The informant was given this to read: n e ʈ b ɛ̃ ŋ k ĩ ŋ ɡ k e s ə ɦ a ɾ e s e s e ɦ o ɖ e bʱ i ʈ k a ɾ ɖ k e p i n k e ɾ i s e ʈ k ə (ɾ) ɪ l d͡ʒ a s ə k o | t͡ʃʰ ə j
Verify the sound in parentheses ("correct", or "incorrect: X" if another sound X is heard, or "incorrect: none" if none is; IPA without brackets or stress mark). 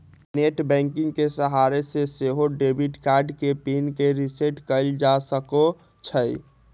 incorrect: none